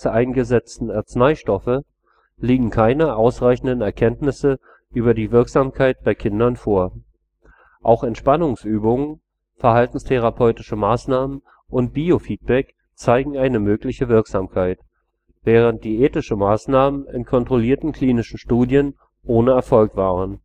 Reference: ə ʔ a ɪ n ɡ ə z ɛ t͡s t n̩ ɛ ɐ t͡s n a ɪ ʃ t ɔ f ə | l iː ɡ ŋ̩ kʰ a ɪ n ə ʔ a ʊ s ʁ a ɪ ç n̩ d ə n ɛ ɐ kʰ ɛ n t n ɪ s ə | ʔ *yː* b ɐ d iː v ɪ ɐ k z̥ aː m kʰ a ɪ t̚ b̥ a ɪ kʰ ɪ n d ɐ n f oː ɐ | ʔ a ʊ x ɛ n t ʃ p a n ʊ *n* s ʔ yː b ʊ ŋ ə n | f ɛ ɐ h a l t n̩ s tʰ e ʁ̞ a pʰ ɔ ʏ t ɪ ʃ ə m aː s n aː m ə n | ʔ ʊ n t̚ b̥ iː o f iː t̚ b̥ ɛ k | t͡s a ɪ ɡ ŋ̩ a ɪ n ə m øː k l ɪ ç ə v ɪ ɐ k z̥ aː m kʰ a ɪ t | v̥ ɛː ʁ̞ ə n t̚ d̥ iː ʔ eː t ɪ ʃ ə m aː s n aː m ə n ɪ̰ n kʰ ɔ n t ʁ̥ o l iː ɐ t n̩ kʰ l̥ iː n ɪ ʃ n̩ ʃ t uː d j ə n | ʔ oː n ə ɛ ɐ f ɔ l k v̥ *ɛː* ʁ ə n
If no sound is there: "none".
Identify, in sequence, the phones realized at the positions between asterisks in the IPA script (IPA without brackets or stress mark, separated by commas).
yː, ŋ, aː